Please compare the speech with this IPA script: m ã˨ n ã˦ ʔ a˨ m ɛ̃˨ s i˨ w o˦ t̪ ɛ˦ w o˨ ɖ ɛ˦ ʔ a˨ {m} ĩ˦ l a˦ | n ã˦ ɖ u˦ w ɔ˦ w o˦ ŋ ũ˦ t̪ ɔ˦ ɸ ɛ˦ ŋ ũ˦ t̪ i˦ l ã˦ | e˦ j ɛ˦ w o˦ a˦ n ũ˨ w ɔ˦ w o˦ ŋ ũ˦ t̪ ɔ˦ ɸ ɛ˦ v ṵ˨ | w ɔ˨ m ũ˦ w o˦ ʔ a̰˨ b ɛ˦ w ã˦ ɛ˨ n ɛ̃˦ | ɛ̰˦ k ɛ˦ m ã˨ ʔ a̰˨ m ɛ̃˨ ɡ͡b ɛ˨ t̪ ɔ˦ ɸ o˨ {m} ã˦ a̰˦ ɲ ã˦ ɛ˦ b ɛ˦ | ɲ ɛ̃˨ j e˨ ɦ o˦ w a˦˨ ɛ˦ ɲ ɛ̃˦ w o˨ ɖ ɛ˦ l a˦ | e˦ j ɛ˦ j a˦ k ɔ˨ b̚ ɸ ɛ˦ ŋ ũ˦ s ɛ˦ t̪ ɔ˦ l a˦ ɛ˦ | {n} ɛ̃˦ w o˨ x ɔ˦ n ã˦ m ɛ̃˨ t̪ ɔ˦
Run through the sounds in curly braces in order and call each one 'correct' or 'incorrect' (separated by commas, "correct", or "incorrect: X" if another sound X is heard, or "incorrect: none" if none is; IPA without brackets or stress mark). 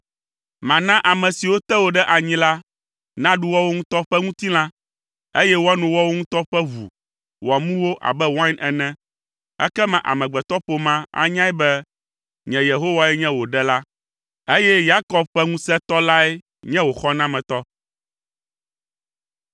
incorrect: ɲ, correct, incorrect: ɲ